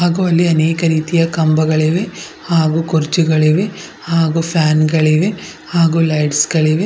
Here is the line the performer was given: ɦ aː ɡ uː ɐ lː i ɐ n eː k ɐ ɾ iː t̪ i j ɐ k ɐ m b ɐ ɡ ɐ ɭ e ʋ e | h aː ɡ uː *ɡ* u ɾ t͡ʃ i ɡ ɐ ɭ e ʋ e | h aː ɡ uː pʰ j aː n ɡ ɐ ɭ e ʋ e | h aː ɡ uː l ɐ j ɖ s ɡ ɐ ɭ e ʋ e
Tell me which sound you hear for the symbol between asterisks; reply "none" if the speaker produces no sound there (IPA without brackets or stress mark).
k